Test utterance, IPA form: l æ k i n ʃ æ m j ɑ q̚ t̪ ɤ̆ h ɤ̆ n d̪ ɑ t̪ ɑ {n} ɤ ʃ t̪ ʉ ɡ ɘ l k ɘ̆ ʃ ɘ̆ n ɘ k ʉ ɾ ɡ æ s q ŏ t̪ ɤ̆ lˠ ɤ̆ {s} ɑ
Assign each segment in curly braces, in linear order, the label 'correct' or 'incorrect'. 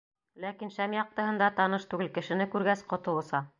correct, correct

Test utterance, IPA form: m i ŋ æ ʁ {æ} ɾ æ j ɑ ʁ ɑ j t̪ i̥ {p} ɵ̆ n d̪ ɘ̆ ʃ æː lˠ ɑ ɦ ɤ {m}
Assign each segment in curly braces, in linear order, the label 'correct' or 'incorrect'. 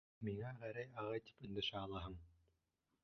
correct, correct, incorrect: ɴ

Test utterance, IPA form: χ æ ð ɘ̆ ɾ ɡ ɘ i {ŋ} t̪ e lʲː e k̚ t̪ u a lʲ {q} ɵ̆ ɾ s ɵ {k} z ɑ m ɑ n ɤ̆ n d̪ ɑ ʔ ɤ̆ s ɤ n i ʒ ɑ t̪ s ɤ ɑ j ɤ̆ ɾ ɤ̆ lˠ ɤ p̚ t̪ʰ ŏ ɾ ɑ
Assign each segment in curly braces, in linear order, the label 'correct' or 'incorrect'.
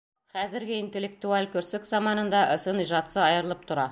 incorrect: n, incorrect: k, correct

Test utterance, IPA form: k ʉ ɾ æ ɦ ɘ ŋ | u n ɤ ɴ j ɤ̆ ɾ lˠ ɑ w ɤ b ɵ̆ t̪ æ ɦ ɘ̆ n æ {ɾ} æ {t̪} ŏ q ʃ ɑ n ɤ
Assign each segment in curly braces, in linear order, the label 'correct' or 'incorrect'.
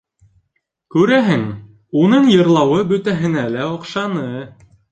incorrect: l, incorrect: none

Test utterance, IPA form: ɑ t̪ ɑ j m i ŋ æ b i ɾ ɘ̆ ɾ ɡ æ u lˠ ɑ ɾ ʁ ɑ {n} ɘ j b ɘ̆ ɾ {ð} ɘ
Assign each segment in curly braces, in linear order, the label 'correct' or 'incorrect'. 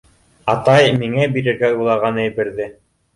correct, correct

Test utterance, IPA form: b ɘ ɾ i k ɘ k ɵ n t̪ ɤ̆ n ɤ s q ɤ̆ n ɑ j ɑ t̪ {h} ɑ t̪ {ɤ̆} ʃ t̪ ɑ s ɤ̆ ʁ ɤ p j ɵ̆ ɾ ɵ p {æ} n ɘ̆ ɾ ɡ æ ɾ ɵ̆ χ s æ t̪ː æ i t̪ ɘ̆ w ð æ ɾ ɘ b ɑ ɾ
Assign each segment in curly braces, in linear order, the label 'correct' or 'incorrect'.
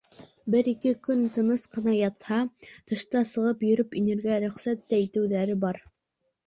correct, correct, incorrect: i

